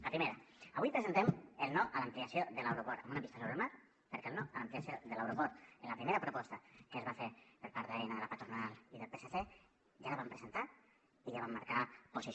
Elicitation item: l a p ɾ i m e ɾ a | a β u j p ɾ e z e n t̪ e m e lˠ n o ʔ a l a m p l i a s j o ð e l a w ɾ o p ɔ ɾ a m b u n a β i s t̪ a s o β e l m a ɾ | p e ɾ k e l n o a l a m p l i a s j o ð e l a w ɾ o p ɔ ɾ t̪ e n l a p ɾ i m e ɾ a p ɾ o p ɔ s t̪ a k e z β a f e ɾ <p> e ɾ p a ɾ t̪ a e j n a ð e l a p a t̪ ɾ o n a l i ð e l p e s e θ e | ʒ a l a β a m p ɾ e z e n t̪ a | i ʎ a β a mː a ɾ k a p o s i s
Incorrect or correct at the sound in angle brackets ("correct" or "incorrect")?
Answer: correct